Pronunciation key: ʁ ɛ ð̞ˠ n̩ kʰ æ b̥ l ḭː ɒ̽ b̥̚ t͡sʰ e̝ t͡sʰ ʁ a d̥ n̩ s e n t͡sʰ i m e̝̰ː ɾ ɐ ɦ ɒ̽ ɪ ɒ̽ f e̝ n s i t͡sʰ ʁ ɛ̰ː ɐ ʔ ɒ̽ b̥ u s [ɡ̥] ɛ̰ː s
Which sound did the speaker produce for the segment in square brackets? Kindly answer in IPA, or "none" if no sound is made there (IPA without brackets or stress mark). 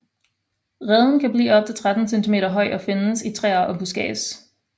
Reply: ɡ̥